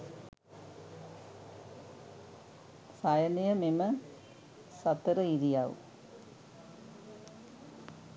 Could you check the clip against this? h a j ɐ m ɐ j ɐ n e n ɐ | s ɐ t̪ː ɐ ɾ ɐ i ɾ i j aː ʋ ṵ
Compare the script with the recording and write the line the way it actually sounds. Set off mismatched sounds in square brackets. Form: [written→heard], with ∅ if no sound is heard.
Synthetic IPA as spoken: [h→s] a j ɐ [m→n] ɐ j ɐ [n→m] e [n→m] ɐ | s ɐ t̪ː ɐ ɾ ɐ i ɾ i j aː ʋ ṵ